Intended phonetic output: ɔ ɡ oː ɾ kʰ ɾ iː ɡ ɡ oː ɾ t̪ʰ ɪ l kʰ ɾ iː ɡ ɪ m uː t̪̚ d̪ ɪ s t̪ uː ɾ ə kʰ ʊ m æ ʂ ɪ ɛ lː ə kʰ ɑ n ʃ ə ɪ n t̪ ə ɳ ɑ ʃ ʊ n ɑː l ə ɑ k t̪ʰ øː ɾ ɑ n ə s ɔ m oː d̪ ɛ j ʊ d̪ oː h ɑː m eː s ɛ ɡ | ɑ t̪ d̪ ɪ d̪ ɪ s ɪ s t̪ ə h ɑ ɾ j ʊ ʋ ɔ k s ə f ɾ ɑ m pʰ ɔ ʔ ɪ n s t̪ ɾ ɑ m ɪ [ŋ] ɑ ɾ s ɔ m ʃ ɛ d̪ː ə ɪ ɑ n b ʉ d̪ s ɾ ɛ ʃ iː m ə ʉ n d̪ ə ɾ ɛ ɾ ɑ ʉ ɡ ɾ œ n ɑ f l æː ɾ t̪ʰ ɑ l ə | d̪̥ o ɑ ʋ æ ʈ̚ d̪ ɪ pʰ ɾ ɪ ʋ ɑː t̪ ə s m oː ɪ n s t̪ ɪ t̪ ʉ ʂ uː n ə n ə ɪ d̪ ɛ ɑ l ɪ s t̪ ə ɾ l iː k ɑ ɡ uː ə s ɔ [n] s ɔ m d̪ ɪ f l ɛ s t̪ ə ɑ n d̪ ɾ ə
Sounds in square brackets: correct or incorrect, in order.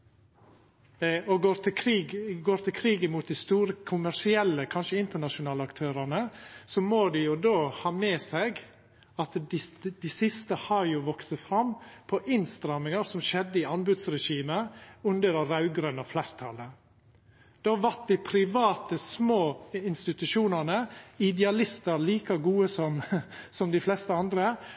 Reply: correct, incorrect: m

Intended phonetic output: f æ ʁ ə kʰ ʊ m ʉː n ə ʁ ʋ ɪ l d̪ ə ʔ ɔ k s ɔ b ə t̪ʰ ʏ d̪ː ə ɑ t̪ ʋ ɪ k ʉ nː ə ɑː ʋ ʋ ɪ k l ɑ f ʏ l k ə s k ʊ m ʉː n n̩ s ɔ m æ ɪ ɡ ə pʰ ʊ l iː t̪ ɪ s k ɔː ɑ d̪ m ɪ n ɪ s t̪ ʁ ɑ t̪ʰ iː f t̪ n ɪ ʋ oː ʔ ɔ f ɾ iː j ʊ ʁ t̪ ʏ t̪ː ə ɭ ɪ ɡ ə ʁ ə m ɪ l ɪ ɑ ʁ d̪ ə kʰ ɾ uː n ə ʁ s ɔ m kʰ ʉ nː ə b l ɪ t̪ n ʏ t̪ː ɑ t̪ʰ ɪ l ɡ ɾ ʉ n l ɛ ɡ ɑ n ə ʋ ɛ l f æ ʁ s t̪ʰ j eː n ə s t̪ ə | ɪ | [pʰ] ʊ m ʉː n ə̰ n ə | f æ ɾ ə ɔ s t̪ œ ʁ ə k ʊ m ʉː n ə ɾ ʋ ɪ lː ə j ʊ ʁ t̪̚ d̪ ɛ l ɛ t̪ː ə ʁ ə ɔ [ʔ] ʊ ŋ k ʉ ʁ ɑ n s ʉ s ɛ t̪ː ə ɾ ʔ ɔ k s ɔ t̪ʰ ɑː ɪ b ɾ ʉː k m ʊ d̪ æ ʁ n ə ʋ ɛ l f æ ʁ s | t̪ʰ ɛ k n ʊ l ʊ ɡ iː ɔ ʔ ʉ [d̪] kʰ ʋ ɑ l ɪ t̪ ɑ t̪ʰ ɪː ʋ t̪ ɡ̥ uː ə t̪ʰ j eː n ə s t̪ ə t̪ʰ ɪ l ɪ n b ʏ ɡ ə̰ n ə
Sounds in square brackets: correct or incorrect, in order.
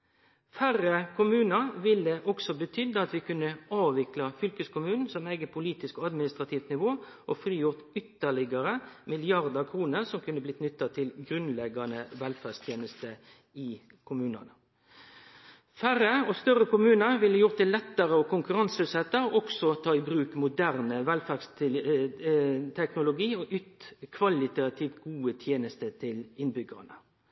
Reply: incorrect: kʰ, incorrect: k, incorrect: t̪

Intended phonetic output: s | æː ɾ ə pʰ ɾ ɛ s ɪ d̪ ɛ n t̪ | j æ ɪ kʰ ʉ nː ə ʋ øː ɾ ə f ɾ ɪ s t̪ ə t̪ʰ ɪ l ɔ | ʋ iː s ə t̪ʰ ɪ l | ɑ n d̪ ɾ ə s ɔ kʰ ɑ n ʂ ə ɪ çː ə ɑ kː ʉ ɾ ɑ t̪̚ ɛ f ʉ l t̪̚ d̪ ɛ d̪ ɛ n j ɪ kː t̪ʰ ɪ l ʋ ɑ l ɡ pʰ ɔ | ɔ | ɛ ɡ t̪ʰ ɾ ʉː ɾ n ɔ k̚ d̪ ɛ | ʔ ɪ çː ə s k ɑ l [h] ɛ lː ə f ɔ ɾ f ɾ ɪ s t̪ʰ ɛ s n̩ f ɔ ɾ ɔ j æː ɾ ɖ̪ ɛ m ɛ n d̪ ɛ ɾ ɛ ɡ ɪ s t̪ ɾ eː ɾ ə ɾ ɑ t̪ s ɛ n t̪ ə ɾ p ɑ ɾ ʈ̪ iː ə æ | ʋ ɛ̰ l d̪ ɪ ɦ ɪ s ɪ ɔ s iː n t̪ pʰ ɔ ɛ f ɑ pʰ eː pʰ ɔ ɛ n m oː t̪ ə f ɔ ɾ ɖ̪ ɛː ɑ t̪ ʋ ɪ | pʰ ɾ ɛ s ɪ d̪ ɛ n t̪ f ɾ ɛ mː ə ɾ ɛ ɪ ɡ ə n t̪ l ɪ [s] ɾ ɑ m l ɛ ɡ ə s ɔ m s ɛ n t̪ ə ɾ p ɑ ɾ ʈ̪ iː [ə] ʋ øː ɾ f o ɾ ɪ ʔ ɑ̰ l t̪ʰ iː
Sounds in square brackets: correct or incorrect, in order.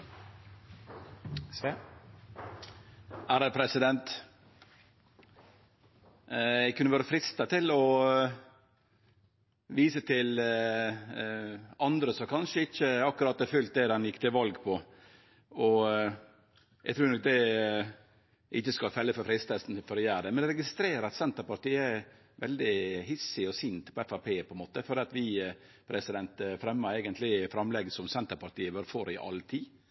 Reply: incorrect: f, incorrect: f, correct

